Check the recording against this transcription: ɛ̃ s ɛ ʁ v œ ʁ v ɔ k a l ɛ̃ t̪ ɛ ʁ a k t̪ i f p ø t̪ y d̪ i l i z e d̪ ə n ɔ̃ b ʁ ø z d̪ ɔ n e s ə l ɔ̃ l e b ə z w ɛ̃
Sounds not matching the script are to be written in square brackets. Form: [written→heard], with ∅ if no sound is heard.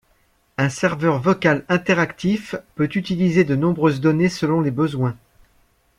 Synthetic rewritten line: ɛ̃ s ɛ ʁ v œ ʁ v ɔ k a l ɛ̃ t̪ ɛ ʁ a k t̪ i f p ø t̪ y [d̪→t̪] i l i z e d̪ ə n ɔ̃ b ʁ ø z d̪ ɔ n e s ə l ɔ̃ l e b ə z w ɛ̃